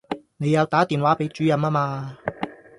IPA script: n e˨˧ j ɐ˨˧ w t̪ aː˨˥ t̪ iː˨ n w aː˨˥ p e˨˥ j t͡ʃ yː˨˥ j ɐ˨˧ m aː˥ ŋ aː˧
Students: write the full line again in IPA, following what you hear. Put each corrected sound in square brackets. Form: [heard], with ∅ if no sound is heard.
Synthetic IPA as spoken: n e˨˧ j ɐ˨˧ w t̪ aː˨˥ t̪ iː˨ n w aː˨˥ p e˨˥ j t͡ʃ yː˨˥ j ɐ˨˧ m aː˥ [m] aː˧